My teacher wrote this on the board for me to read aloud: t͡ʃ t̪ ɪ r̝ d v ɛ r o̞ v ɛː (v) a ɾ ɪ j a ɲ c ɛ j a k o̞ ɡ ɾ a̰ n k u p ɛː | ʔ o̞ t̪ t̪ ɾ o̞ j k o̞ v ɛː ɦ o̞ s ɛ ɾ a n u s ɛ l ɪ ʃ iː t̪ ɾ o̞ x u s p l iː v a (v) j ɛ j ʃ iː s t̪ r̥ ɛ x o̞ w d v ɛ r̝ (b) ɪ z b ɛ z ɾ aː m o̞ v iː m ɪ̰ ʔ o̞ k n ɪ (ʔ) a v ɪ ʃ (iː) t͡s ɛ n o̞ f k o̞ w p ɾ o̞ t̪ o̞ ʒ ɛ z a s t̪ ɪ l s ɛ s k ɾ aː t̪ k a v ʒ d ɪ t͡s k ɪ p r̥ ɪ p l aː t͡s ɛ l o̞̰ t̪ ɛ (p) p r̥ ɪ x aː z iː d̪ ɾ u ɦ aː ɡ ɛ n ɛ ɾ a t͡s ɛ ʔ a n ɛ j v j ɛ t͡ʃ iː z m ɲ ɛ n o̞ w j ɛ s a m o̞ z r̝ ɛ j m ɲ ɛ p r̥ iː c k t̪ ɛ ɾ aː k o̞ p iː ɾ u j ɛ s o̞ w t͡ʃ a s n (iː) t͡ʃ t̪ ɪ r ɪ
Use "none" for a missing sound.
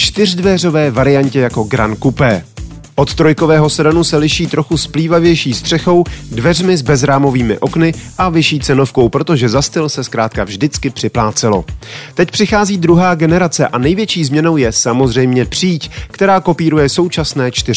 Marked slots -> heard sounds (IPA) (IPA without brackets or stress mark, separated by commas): v, v, m, ʔ, iː, c, ɛː